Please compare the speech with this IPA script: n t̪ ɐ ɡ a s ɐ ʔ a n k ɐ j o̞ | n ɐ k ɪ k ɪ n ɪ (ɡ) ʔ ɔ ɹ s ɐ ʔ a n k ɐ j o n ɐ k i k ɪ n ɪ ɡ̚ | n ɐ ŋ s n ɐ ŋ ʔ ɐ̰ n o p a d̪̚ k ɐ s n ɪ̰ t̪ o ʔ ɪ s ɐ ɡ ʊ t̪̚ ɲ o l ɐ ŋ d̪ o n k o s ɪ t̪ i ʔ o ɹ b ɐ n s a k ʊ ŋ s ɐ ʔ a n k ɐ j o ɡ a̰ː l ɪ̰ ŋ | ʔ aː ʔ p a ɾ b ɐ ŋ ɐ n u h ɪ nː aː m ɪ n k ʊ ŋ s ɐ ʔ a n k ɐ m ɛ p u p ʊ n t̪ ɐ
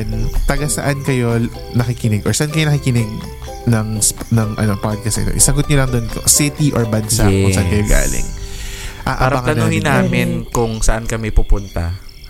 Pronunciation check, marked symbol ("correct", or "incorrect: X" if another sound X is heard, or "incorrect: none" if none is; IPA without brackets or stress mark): correct